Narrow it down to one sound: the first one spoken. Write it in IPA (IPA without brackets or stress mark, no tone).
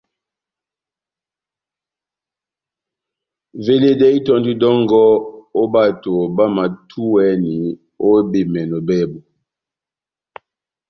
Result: v